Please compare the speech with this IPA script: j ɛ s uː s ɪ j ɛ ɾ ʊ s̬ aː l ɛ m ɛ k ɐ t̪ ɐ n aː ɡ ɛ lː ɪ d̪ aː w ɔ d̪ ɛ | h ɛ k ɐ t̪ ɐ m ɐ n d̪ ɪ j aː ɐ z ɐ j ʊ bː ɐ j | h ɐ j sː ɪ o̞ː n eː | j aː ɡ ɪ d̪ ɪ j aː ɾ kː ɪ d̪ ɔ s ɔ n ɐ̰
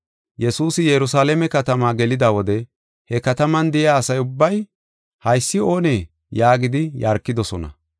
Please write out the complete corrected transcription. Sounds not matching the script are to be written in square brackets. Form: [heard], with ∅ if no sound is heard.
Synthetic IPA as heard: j ɛ s uː s ɪ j ɛ ɾ ʊ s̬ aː l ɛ m ɛ k ɐ t̪ ɐ [m] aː ɡ ɛ [l] ɪ d̪ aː w ɔ d̪ ɛ | h ɛ k ɐ t̪ ɐ m ɐ n d̪ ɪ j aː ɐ [s] ɐ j ʊ bː ɐ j | h ɐ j sː ɪ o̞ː n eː | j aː ɡ ɪ d̪ ɪ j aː ɾ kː ɪ d̪ ɔ s ɔ n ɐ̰